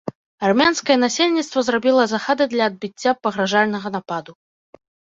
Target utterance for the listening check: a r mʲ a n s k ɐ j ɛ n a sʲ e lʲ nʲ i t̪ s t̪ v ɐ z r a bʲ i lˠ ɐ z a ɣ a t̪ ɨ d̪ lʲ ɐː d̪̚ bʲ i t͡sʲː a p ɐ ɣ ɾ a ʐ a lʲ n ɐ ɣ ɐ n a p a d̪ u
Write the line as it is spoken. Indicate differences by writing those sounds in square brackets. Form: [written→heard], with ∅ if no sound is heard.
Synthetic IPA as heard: a r mʲ a n s k ɐ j ɛ n a sʲ e lʲ nʲ i t̪ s t̪ v ɐ z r a bʲ i lˠ ɐ z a [ɣ→x] a [t̪→d̪] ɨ d̪ lʲ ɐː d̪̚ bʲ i t͡sʲː a p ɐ ɣ ɾ a ʐ a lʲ n ɐ ɣ ɐ n a p a d̪ u